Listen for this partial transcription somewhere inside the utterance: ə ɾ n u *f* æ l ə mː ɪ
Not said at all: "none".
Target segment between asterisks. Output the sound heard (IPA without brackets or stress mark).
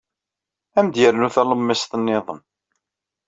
θ